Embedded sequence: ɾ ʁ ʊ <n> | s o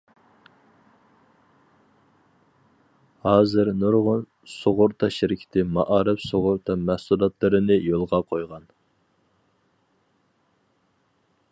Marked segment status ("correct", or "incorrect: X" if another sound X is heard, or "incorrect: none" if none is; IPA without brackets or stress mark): correct